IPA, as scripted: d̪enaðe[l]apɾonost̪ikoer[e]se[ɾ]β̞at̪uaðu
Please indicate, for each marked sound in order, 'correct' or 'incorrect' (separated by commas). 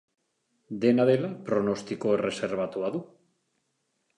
correct, correct, correct